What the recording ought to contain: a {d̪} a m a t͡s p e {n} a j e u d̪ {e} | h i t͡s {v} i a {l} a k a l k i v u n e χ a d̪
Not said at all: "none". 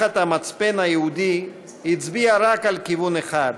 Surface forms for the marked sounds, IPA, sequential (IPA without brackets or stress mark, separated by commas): t̪, n, i, b, ɾ